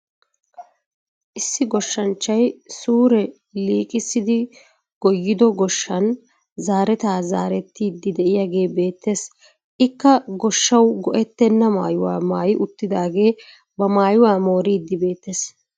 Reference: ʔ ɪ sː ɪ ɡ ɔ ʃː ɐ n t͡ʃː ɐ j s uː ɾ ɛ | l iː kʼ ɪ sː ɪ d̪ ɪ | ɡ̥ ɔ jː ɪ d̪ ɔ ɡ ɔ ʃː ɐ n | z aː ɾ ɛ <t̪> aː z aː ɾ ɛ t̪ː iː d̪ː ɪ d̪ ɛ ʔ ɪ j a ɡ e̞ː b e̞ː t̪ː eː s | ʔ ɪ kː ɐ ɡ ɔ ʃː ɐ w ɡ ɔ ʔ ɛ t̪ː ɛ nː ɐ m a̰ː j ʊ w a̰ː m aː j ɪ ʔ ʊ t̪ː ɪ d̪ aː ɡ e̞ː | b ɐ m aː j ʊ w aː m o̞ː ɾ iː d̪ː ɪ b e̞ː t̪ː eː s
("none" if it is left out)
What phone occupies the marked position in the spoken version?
t̪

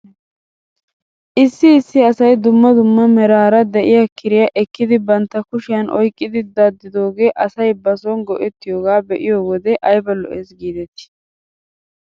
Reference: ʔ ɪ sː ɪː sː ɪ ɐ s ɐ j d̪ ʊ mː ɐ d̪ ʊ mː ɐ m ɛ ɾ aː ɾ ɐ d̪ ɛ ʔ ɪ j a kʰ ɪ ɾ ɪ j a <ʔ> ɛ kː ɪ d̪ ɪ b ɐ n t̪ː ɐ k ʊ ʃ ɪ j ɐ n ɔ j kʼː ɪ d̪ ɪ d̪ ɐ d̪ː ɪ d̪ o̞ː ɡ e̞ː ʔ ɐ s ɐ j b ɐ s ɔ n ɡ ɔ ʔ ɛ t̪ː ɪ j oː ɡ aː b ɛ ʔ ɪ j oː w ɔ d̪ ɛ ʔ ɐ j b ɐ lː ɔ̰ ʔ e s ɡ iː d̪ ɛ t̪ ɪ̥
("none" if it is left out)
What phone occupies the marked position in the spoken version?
ʔ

